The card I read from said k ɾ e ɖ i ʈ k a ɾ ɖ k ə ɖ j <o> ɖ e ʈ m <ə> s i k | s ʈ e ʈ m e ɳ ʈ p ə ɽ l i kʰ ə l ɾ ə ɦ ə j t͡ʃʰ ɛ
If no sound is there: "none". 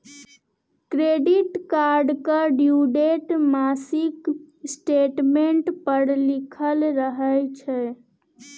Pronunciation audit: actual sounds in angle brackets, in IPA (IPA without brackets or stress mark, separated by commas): u, a